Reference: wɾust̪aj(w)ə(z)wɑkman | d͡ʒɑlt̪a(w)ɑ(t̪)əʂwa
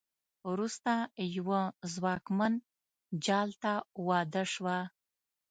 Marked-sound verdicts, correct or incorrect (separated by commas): correct, correct, correct, incorrect